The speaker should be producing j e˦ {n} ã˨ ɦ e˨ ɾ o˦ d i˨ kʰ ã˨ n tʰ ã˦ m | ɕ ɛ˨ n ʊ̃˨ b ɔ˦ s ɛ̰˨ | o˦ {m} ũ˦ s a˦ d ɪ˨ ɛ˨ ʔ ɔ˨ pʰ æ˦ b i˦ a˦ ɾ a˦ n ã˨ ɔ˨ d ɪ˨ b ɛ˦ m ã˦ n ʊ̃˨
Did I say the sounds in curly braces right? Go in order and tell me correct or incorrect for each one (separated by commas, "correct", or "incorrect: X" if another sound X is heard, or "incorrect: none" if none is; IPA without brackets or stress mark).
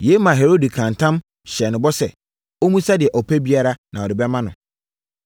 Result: incorrect: m, correct